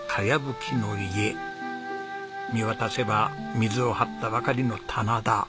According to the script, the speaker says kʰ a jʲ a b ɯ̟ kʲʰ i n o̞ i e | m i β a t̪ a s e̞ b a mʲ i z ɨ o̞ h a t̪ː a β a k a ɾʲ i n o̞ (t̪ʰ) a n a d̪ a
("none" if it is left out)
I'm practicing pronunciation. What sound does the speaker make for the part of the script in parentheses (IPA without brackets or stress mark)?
t̪ʰ